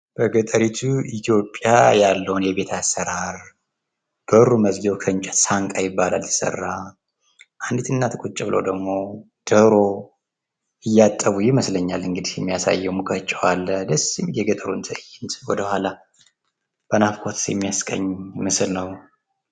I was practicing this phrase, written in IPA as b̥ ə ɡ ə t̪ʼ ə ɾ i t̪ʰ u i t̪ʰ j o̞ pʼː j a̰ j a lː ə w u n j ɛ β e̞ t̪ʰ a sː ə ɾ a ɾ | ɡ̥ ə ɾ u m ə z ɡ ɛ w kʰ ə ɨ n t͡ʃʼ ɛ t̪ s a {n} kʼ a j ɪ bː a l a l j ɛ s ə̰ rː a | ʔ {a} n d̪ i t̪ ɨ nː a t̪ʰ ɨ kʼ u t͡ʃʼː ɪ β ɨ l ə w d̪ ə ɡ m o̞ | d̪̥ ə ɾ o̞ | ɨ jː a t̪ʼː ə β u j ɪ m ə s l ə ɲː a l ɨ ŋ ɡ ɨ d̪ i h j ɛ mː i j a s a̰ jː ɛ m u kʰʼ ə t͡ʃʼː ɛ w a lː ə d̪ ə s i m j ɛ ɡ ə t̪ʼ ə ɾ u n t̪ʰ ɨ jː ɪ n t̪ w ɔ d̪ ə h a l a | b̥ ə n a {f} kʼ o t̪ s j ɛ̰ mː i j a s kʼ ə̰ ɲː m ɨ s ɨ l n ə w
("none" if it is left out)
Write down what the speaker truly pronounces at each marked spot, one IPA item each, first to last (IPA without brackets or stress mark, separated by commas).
ŋ, a, f